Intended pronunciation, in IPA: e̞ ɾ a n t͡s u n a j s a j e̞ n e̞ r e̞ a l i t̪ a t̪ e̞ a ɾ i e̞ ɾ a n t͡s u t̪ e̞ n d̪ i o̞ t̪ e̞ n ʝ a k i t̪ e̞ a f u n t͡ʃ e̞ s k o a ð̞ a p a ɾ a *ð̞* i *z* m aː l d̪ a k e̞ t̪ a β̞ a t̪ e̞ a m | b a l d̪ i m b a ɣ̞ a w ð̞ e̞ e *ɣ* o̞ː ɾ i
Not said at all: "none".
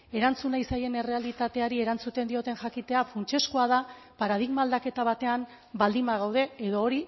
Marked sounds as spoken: ð̞, ɣ, ð

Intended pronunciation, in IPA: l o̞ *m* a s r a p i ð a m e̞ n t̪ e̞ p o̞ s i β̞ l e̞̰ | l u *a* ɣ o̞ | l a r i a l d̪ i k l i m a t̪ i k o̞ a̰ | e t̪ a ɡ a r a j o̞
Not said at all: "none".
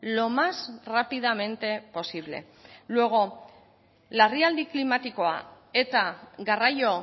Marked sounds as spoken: m, e

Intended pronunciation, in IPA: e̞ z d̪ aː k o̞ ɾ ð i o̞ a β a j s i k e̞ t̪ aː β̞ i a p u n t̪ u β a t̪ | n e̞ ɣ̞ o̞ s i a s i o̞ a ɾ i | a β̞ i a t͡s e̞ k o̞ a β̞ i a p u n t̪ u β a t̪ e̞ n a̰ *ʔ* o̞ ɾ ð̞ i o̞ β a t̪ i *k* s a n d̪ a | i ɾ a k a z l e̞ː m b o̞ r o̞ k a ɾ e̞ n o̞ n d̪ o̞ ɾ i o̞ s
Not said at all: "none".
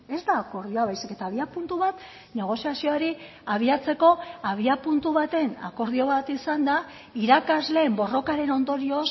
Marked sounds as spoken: k, none

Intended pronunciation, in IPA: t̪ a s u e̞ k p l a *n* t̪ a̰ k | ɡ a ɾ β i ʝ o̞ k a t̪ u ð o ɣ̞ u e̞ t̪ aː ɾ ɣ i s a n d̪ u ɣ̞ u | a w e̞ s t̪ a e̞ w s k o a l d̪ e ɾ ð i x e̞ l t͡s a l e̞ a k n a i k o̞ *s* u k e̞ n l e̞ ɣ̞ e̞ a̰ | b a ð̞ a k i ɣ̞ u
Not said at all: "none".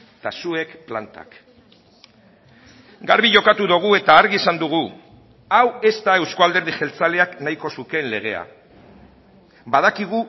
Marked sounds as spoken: n, s

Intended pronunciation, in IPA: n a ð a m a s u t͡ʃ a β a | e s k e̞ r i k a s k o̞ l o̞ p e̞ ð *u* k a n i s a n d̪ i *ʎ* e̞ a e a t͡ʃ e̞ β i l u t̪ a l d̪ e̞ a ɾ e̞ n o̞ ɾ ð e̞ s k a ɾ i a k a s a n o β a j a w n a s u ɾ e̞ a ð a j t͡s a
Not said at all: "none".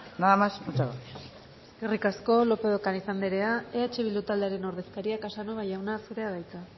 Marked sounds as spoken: o, ɾ

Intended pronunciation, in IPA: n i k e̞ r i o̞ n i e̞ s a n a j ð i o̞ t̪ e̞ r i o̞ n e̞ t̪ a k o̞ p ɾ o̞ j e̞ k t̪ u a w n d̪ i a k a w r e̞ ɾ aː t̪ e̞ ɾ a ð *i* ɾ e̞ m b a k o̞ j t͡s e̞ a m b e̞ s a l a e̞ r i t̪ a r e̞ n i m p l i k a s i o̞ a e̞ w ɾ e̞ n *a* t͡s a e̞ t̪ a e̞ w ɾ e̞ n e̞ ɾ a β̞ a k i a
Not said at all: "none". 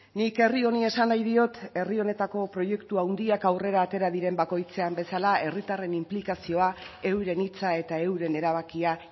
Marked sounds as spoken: i, i

